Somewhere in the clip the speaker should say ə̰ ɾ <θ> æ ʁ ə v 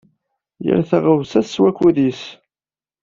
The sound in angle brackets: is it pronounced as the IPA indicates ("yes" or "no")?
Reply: yes